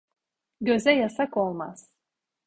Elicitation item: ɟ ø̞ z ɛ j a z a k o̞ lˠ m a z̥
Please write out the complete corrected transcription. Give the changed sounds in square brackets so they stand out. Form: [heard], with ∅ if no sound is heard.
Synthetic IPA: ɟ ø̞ z ɛ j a [s] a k o̞ lˠ m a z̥

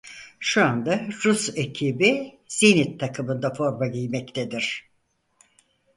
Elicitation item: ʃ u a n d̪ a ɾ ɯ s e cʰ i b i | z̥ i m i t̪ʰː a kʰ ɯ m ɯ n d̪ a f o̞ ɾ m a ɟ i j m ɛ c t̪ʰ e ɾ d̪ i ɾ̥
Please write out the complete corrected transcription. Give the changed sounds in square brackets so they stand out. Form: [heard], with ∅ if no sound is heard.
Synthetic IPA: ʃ u a n d̪ a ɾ [u] s e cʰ i b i | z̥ i [n] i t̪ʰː a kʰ ɯ m ɯ n d̪ a f o̞ ɾ m a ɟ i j m ɛ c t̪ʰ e [∅] d̪ i ɾ̥

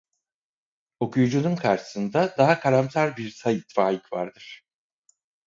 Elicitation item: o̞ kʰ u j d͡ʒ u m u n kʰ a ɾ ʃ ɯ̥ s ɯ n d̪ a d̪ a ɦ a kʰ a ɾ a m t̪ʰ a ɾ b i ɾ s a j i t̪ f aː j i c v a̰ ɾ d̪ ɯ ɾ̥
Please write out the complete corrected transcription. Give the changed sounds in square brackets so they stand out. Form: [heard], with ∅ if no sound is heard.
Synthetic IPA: o̞ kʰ u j d͡ʒ u [n] u n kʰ a ɾ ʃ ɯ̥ s ɯ n d̪ a d̪ a ɦ a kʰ a ɾ a m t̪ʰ a ɾ b i ɾ s a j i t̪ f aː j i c v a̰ ɾ d̪ ɯ ɾ̥

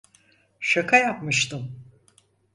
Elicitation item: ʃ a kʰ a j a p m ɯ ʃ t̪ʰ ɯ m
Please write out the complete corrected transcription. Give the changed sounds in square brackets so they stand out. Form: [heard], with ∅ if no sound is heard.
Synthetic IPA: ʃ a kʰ a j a p m ɯ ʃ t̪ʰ ɯ m

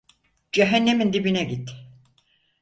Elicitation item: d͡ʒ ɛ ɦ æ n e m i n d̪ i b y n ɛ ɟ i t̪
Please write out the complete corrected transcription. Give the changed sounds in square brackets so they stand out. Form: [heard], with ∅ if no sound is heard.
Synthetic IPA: d͡ʒ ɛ ɦ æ [nː] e m i n d̪ i b [i] n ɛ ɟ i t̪

